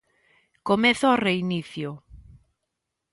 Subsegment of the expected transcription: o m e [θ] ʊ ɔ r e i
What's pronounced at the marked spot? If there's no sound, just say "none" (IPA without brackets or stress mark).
θ